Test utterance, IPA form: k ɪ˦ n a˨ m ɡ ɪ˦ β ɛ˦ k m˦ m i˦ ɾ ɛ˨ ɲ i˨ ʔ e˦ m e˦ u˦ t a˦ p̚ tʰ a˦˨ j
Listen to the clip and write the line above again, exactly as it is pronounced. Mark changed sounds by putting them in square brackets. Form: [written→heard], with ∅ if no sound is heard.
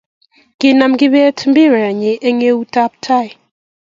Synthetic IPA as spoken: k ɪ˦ n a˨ m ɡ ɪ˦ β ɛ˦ [k→t] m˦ [m→b] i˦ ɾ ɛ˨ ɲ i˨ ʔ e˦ [m→ŋ] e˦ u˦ t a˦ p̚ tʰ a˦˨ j